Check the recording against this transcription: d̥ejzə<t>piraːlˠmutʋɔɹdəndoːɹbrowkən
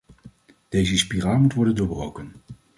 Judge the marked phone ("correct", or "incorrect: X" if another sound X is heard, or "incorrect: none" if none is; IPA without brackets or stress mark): incorrect: s